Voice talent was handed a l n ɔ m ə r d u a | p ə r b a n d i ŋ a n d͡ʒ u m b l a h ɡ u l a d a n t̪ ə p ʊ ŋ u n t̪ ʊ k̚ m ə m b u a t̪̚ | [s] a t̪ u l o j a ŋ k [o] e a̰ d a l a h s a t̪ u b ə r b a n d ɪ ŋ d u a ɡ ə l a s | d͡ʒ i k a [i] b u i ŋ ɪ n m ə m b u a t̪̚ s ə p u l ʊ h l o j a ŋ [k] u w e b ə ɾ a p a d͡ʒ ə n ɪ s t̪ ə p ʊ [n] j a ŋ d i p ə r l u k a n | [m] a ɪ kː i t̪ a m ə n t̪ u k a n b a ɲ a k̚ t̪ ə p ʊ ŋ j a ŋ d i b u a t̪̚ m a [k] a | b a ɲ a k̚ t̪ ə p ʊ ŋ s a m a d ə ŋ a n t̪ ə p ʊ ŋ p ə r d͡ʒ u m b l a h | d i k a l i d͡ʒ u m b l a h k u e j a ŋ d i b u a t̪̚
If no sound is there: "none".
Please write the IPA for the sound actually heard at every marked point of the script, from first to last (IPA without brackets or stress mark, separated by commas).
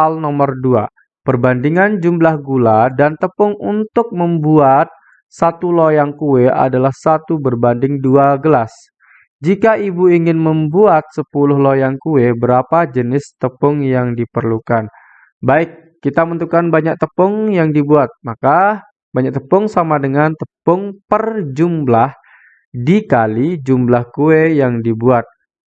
s, u, i, k, ŋ, b, k